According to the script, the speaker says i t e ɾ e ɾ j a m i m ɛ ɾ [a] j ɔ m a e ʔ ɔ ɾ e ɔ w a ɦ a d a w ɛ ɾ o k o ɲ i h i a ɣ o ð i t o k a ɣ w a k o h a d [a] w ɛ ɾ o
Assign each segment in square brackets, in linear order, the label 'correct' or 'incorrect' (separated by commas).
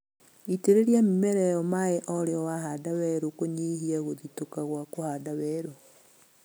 incorrect, correct